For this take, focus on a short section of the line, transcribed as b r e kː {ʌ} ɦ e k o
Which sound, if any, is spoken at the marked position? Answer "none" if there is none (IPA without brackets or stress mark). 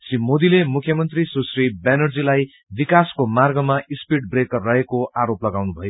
ʌ